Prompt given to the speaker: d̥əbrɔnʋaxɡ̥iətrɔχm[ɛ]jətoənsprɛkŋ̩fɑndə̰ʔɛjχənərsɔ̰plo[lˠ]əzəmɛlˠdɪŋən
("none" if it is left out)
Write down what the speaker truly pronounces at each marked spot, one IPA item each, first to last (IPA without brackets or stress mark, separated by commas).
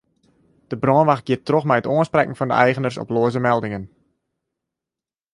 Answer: ɛ, none